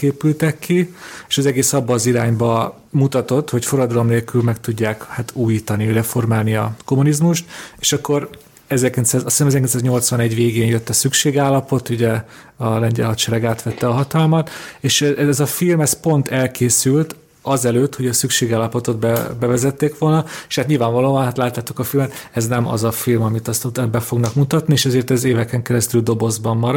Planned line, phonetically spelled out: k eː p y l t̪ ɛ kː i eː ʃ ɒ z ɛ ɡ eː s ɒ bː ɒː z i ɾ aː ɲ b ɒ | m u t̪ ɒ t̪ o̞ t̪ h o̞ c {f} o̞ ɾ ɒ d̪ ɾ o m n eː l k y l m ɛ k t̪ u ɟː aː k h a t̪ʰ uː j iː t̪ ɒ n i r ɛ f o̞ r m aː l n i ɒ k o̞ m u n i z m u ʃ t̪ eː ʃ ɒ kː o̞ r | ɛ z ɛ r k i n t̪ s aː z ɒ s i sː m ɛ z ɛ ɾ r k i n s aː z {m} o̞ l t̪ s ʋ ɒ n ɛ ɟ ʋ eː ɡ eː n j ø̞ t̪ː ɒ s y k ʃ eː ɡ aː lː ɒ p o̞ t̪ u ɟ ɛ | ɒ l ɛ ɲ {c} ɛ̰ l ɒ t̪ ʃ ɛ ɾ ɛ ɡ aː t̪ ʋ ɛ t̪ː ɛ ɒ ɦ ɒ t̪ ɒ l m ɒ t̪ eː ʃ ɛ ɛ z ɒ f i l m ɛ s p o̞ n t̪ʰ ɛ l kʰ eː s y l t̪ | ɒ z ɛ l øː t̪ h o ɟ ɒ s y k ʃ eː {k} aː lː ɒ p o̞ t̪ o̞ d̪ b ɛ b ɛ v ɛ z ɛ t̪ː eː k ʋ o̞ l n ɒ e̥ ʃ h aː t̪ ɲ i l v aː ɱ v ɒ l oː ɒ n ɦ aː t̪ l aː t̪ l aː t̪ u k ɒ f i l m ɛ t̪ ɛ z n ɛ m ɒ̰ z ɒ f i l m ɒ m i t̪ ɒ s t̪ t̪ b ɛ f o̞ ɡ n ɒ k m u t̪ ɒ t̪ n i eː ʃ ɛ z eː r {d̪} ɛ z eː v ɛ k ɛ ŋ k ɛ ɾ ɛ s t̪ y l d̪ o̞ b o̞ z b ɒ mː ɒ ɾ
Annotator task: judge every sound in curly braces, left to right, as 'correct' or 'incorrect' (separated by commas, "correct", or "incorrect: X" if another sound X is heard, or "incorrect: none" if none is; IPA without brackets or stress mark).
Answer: correct, incorrect: ɲ, incorrect: ɟ, incorrect: ɡ, incorrect: t̪